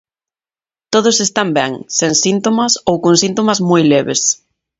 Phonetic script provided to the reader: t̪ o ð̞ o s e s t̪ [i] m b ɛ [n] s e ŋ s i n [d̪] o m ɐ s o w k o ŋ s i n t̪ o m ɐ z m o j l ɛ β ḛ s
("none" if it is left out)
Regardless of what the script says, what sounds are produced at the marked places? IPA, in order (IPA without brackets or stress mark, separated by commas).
a, ŋ, t̪